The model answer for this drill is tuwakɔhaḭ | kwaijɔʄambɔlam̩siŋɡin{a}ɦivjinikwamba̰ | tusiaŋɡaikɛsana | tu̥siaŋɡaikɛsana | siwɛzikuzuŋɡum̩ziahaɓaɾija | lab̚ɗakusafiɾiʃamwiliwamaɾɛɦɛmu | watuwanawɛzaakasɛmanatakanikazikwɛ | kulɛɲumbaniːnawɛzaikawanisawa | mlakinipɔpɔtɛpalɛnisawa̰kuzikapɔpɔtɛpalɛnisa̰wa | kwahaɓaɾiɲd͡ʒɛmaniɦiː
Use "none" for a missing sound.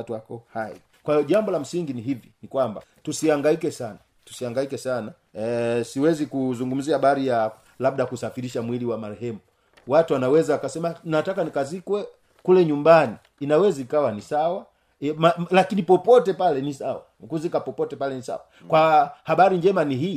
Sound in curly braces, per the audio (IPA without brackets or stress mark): i